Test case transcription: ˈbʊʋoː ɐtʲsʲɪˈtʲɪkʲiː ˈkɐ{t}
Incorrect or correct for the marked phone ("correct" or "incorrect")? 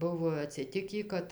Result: correct